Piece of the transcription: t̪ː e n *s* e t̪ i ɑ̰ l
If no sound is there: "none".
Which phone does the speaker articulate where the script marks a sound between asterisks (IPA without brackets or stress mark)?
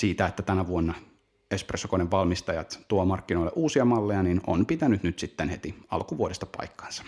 h